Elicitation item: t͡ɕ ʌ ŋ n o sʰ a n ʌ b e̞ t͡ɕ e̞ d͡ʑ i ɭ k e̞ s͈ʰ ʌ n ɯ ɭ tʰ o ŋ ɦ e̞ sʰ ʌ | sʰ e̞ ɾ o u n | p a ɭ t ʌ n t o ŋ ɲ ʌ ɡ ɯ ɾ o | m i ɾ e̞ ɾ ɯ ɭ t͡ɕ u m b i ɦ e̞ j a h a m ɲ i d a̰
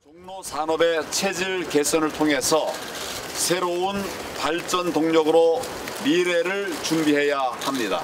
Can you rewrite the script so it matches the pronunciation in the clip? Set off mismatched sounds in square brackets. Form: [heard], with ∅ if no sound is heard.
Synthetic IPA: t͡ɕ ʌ ŋ n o sʰ a n ʌ b e̞ [t͡ɕʰ] e̞ d͡ʑ i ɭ k e̞ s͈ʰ ʌ n ɯ ɭ tʰ o ŋ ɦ e̞ sʰ ʌ | sʰ e̞ ɾ o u n | p a ɭ [t͡ɕ͈] ʌ n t o ŋ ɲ ʌ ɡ ɯ ɾ o | m i ɾ e̞ ɾ ɯ ɭ t͡ɕ u m b i ɦ e̞ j a h a m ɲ i d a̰